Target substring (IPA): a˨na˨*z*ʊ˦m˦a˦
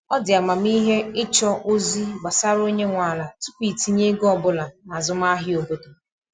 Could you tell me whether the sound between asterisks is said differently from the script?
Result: no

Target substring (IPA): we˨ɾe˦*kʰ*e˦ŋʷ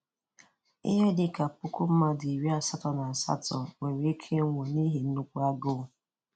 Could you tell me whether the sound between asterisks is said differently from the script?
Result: no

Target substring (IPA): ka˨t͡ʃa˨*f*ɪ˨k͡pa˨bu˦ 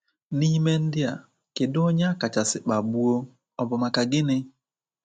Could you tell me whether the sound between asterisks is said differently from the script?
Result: yes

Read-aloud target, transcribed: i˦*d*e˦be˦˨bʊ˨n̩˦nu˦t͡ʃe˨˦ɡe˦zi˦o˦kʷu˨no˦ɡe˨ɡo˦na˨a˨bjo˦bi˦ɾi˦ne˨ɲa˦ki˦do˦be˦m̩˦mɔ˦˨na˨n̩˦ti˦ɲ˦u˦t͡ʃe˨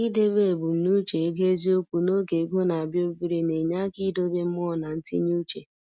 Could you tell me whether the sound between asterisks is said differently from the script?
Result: no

